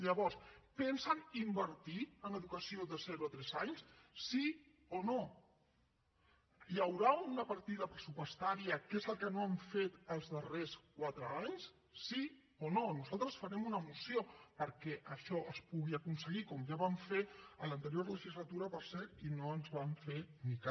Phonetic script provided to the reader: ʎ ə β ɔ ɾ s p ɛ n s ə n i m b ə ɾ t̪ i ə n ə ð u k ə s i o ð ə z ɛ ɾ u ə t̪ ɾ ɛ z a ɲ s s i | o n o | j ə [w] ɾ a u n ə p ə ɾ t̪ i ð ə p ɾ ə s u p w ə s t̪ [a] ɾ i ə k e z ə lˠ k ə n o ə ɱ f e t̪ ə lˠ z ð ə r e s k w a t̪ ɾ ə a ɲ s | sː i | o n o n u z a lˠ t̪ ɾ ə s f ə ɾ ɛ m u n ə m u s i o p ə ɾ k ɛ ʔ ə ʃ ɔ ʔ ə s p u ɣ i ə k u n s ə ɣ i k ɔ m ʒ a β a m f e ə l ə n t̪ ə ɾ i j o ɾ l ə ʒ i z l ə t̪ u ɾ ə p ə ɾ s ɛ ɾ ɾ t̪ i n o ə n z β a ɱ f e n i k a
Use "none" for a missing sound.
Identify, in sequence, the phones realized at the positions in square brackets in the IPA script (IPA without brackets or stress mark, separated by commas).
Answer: w, a